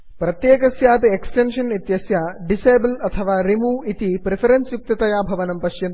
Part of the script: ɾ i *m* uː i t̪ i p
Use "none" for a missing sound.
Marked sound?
m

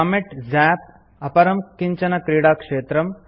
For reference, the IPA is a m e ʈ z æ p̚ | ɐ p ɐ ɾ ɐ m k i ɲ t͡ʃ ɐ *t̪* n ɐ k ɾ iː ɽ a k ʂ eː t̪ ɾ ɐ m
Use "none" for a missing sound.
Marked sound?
none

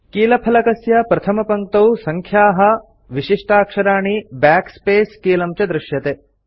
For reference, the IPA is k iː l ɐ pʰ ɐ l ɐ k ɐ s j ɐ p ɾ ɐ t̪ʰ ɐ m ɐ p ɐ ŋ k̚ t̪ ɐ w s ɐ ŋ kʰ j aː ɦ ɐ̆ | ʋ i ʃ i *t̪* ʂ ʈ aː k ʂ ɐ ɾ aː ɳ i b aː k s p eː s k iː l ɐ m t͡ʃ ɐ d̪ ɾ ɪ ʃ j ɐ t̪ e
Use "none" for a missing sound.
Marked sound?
none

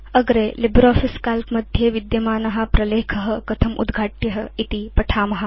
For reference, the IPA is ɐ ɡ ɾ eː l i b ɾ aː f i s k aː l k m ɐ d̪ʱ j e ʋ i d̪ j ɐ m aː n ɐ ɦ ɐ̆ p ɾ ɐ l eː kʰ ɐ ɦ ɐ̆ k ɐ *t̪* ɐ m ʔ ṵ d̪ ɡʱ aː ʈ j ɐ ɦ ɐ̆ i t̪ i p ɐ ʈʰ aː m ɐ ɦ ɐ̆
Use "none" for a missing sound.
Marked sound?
t̪ʰ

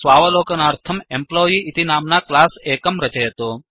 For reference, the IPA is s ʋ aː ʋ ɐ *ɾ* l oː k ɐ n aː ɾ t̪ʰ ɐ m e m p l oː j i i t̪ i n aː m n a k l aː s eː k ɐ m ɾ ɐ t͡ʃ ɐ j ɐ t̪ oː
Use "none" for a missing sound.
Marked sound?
none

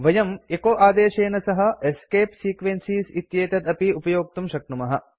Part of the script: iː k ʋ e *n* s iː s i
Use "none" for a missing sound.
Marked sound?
n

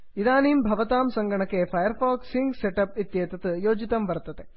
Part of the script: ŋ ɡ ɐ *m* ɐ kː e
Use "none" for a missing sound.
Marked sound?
ɳ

